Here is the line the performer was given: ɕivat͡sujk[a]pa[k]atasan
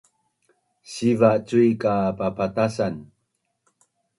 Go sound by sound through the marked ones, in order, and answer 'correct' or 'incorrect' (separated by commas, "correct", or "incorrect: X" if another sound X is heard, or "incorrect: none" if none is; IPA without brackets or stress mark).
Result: correct, incorrect: p